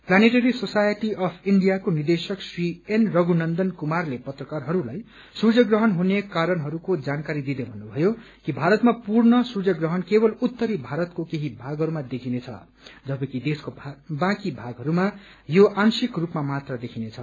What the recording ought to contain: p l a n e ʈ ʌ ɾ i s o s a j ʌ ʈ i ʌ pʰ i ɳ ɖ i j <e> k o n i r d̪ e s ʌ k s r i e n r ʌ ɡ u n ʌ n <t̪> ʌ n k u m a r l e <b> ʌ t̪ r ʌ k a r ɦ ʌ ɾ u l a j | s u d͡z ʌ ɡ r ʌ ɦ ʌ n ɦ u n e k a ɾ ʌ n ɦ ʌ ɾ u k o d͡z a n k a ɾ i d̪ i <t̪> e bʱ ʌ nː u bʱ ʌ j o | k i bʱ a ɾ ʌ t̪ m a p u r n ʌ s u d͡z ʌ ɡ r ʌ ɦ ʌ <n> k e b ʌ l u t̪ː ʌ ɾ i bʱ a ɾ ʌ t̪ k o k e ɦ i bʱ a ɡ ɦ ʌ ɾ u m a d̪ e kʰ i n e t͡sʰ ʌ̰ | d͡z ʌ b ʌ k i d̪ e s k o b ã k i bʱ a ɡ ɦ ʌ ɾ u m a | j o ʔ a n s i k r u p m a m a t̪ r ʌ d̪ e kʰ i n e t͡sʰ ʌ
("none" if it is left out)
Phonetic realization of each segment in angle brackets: a, d̪, p, d̪, n

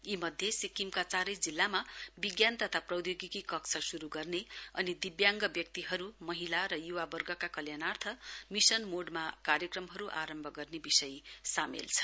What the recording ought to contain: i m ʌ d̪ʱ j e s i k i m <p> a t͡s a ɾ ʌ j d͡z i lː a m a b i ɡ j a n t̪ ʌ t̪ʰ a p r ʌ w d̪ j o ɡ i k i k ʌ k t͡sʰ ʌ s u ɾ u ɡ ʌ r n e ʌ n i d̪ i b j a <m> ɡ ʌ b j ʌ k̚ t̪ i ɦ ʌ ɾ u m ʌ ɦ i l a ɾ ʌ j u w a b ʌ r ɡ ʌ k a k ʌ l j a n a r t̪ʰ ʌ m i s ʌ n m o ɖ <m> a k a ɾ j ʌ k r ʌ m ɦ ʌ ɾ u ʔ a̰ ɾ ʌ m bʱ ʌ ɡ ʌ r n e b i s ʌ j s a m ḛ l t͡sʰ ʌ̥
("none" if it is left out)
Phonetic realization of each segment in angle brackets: k, ŋ, m

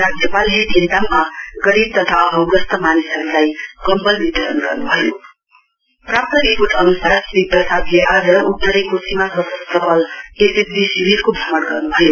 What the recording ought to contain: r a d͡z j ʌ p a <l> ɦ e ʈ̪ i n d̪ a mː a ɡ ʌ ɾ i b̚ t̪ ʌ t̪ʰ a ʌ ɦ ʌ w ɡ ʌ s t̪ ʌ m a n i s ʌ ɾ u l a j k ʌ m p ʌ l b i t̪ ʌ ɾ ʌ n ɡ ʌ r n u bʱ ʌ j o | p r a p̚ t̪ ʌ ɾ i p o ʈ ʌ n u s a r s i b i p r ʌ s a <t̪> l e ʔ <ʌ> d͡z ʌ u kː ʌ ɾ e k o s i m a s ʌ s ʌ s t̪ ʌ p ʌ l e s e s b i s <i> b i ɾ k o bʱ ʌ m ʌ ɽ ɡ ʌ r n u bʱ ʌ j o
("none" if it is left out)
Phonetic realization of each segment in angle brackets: l, d̪, a, i

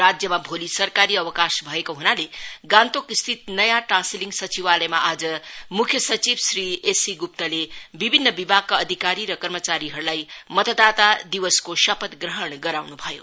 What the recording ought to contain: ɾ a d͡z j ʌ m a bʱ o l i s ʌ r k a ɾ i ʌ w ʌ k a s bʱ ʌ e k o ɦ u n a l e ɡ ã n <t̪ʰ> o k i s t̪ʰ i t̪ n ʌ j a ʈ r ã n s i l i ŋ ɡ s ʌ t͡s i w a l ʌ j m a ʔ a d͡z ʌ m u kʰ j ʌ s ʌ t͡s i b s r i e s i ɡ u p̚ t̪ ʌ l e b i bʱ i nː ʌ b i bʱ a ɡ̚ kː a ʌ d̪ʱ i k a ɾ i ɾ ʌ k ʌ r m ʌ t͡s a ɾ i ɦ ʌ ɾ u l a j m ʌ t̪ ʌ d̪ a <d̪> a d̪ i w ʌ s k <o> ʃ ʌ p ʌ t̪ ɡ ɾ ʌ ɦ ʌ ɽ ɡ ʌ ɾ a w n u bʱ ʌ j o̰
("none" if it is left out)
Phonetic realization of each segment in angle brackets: t̪, t̪, o

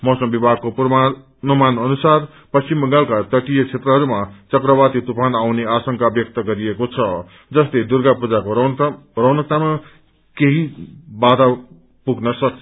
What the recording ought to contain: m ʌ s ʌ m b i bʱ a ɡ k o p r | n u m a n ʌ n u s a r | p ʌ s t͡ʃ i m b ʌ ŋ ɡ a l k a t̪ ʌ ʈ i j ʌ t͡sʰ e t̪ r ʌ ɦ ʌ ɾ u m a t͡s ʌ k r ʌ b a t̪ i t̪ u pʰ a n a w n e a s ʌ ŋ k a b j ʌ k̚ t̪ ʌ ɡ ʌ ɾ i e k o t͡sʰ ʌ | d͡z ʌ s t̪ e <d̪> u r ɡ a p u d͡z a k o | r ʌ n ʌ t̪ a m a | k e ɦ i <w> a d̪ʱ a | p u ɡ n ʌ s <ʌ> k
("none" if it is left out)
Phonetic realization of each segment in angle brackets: d̪, b, ʌ

